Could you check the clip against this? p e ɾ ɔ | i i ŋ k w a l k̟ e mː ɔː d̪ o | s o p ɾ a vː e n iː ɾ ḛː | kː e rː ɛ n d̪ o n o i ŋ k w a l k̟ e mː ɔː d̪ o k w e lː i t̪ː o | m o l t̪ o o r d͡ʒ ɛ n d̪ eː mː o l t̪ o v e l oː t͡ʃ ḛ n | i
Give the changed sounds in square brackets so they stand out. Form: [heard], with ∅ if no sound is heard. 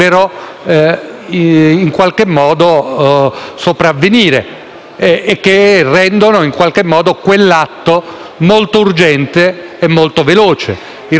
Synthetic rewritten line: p e ɾ ɔ | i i ŋ k w a l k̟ e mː ɔː d̪ o | s o p ɾ a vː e n iː ɾ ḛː | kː e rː ɛ n d̪ o n o i ŋ k w a l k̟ e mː ɔː d̪ o k w e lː [a] t̪ː o | m o l t̪ o [u] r d͡ʒ ɛ n [t̪] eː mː o l t̪ o v e l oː t͡ʃ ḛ [∅] | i

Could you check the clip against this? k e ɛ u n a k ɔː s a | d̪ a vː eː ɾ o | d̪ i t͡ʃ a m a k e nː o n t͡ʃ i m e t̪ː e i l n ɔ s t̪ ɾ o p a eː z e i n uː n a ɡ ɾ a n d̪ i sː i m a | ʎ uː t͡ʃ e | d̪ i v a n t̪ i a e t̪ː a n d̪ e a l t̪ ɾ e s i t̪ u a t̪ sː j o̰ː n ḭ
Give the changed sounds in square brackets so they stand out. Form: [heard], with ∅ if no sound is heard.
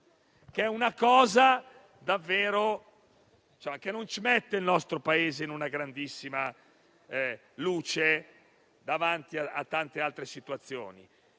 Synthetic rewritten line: k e ɛ u n a k ɔː [z] a | d̪ a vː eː ɾ o | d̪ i t͡ʃ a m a k e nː o n t͡ʃ i m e t̪ː e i l n ɔ s t̪ ɾ o p a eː z e i n [u] n a ɡ ɾ a n d̪ i sː i m a | [l] uː t͡ʃ e | d̪ [a] v a n t̪ i a [a] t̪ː a n [t̪] e a l t̪ ɾ e s i t̪ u a t̪ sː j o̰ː n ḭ

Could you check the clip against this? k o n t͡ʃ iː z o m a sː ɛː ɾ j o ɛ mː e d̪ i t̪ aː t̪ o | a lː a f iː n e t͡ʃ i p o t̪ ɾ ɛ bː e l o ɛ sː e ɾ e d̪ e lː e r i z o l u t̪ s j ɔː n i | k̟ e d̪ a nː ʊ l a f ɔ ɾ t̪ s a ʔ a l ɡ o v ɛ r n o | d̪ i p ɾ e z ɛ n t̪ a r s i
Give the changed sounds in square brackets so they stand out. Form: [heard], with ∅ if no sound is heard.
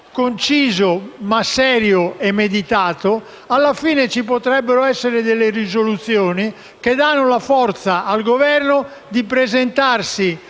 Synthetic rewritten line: k o n t͡ʃ iː z o m a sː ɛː ɾ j o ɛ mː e d̪ i t̪ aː t̪ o | a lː a f iː n e t͡ʃ i p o t̪ ɾ ɛ bː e [ɾ] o ɛ sː e ɾ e d̪ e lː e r i z o l u t̪ s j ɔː n i | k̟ e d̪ a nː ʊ l a f ɔ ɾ t̪ s a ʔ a l ɡ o v ɛ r n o | d̪ i p ɾ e z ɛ n t̪ a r s i

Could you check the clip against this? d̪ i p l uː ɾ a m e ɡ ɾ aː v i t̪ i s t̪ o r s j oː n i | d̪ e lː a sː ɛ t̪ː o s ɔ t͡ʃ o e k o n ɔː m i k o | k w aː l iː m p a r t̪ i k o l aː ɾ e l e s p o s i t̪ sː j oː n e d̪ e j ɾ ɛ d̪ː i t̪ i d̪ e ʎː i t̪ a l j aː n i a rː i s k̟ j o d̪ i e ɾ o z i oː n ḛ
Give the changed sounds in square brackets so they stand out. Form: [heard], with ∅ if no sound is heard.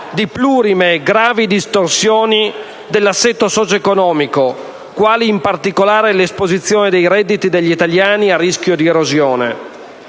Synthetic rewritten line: d̪ i p l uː ɾ [i] m e ɡ ɾ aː v i [d̪] i s t̪ o r s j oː n i | d̪ e lː a sː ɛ t̪ː o s ɔ t͡ʃ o e k o n ɔː m i k o | k w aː l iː m p a r t̪ i k o l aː ɾ e l e s p o [z] i t̪ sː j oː n e d̪ e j ɾ ɛ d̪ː i t̪ i d̪ e ʎː i t̪ a l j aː n i a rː i s k̟ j o d̪ i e ɾ o z [j] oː n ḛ

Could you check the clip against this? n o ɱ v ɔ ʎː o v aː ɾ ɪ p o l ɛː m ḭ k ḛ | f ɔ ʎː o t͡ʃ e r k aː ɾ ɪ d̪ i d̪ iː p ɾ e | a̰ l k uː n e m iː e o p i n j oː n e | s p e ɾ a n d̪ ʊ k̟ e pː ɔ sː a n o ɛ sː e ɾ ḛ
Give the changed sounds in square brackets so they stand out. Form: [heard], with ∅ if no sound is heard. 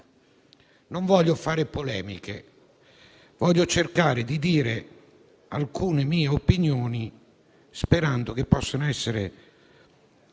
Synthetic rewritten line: n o ɱ v ɔ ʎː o [f] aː ɾ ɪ p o l ɛː m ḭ k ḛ | [v] ɔ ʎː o t͡ʃ e r k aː ɾ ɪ d̪ i d̪ iː [∅] ɾ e | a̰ l k uː n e m iː e o p i n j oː n [i] | s p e ɾ a n d̪ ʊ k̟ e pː ɔ sː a n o ɛ sː e ɾ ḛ

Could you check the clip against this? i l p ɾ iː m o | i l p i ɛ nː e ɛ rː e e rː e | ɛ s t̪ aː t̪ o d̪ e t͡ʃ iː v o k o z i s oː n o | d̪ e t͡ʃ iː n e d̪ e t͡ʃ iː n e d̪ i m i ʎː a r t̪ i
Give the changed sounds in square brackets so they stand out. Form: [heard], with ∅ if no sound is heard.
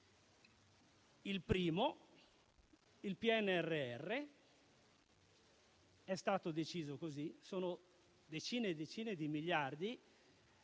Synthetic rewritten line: i l p ɾ iː m o | i l p i ɛ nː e ɛ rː e [ɛ] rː e | ɛ s t̪ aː t̪ o d̪ e t͡ʃ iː [z] o k o z i s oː n o | d̪ e t͡ʃ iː n e d̪ e t͡ʃ iː n e d̪ i m i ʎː a r [d̪] i

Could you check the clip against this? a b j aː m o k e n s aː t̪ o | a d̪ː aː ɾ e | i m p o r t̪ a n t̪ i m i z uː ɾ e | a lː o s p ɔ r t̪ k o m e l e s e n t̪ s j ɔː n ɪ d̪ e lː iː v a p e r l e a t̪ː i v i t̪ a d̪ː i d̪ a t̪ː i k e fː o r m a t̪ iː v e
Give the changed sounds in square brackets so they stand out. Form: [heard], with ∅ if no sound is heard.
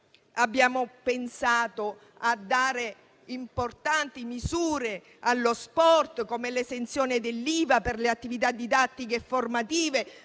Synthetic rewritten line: a [bː] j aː m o [p] e n s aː t̪ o | a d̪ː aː ɾ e | i m p o r t̪ a n t̪ i m i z uː ɾ e | a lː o s p ɔ r t̪ k o m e l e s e n t̪ s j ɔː n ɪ d̪ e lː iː v a p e r l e a t̪ː i v i t̪ a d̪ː i d̪ a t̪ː i k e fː o r m a t̪ iː v e

